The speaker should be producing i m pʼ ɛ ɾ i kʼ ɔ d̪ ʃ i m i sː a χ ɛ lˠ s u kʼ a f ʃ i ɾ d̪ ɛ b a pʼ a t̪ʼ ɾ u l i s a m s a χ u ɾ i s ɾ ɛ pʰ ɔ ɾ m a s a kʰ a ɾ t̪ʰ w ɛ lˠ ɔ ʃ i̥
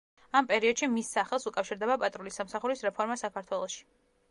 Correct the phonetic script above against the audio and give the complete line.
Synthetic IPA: a m pʼ ɛ ɾ i ɔ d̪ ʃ i m i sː a χ ɛ lˠ s u kʼ a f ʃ i ɾ d̪ ɛ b a pʼ a t̪ʼ ɾ u l i s a m s a χ u ɾ i s ɾ ɛ pʰ ɔ ɾ m a s a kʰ a ɾ t̪ʰ w ɛ lˠ ɔ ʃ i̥